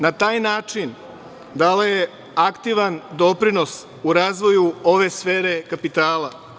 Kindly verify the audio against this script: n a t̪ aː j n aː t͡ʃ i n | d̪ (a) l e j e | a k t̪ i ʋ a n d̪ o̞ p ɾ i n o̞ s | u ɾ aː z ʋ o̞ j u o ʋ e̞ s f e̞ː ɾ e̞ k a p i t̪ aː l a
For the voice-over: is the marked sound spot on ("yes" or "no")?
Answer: yes